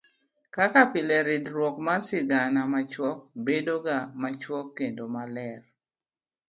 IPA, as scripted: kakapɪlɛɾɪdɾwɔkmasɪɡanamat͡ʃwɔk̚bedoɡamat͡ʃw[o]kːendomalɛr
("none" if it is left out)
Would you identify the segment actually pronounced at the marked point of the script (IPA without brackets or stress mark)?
ɔ